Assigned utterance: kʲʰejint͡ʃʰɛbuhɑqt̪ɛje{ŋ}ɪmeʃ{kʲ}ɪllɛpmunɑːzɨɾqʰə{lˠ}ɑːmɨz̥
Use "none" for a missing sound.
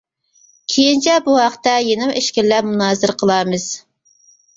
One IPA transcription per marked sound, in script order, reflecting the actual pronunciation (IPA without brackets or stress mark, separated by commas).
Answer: n, kʲ, lˠ